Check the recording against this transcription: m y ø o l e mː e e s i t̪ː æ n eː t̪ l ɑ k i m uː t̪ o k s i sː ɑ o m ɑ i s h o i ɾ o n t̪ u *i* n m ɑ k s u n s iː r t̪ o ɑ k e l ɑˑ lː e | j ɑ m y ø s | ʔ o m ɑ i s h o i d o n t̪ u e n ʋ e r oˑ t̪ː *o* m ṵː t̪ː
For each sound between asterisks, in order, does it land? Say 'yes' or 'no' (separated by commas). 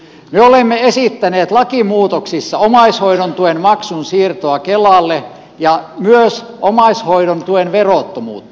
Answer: no, yes